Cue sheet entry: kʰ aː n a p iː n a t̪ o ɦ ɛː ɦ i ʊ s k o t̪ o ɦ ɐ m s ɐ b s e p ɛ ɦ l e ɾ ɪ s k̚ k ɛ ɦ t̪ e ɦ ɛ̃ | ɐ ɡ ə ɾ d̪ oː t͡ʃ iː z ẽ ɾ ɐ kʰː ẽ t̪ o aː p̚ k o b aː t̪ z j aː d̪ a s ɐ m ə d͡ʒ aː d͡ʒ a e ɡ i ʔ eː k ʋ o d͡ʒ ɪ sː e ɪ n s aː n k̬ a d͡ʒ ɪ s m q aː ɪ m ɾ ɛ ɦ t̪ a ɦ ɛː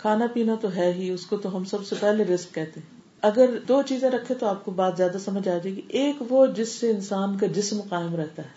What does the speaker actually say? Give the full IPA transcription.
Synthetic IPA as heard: kʰ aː n a p iː n a t̪ o ɦ ɛː ɦ i ʊ s k o t̪ o ɦ ɐ m s ɐ b s e p ɛ ɦ l e ɾ ɪ s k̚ k ɛ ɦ t̪ e ɦ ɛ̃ | ɐ ɡ ə ɾ d̪ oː t͡ʃ iː z ẽ ɾ ɐ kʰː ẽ t̪ o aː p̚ k o b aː t̪ z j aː d̪ a s ɐ m ə d͡ʒ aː d͡ʒ a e ɡ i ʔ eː k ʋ o d͡ʒ ɪ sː e ɪ n s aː n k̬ a d͡ʒ ɪ s m q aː ɪ m ɾ ɛ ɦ t̪ a ɦ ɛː